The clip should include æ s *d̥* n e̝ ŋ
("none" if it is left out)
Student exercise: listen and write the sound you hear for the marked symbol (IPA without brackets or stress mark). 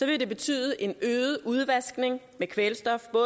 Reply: ɡ̥